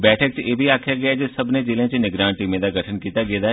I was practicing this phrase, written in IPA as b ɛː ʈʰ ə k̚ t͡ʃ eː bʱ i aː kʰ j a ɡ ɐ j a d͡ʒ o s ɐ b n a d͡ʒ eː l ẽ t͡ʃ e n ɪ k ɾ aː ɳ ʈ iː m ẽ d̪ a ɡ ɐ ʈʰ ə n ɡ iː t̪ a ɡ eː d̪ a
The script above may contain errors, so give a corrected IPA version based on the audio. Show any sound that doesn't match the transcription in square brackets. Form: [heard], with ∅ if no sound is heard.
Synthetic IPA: b ɛː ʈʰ ə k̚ t͡ʃ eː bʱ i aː kʰ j a ɡ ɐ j a d͡ʒ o s ɐ b n [e] d͡ʒ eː l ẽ t͡ʃ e n ɪ [ɡ] ɾ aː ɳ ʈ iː m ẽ d̪ a ɡ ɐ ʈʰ ə n [k] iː t̪ a ɡ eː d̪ a